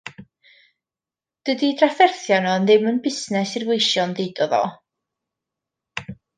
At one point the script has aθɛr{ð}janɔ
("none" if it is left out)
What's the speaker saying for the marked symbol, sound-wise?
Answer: θ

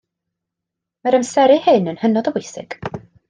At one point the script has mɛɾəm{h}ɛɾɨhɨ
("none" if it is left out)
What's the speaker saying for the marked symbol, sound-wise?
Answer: s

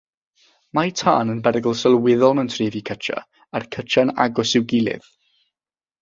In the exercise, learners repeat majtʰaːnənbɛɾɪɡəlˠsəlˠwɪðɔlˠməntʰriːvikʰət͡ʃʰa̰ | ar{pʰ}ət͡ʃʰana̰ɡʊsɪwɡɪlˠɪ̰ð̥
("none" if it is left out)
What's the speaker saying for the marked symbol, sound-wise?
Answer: kʰ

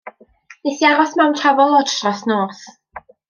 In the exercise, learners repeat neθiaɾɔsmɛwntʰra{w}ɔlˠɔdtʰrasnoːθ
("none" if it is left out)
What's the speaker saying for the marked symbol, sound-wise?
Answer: v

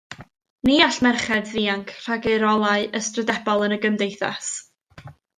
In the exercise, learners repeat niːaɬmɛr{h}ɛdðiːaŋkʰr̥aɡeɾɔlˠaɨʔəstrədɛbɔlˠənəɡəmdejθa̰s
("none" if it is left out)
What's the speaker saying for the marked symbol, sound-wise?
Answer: χ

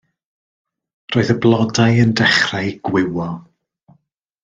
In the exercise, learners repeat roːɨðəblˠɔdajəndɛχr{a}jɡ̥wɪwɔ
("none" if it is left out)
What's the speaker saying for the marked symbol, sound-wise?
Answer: a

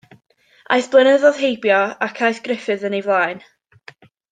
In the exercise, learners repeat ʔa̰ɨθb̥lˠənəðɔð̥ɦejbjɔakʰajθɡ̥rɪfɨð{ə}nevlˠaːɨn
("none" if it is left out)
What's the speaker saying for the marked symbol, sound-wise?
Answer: ə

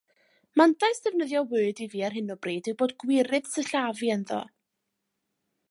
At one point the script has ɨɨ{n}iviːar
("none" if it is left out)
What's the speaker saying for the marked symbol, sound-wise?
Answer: d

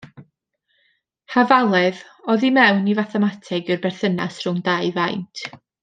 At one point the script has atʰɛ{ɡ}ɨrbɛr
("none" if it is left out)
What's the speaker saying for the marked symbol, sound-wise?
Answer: ɡ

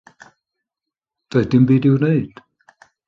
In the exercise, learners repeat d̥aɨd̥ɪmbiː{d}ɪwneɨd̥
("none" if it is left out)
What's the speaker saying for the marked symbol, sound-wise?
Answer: d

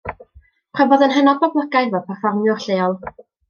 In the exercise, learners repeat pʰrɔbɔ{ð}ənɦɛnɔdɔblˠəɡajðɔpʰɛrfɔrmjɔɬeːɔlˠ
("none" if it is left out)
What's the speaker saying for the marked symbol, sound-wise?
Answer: ð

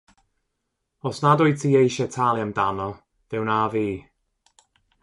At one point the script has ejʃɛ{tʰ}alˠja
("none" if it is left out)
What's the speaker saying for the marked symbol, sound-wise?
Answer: tʰ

